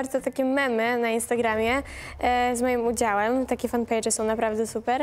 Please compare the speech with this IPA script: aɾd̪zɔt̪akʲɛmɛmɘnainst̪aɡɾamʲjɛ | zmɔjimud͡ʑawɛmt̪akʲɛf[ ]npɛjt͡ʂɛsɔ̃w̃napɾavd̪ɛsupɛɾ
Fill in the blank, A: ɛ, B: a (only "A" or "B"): B